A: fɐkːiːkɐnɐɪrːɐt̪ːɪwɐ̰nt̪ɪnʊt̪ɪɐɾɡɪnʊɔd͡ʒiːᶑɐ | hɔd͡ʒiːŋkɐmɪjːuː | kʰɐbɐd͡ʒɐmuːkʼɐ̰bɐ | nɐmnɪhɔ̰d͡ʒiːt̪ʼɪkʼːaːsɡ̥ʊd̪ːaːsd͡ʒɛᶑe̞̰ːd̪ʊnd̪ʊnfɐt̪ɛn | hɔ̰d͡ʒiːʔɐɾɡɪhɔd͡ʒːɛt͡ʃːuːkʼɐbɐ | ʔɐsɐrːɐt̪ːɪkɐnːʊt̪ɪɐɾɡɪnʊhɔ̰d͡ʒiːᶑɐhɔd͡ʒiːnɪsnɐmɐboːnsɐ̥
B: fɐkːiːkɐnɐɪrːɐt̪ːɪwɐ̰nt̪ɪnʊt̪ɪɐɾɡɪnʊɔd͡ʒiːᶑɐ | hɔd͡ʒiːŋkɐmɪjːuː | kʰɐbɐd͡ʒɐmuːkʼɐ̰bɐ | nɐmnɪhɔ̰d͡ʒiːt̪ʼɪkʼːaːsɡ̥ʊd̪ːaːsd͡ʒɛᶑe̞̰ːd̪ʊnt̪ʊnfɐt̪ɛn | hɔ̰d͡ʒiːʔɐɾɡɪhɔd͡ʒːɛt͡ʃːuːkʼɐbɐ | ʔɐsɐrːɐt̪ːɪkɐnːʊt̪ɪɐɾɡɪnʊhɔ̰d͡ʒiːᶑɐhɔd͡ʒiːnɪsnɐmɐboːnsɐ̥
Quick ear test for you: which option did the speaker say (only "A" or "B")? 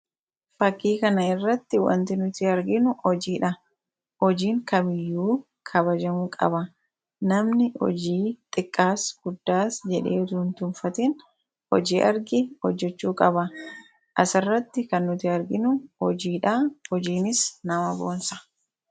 B